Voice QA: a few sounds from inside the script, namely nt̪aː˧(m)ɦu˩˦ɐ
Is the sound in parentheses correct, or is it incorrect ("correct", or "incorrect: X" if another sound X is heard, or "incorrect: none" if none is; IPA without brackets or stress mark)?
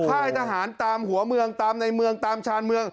correct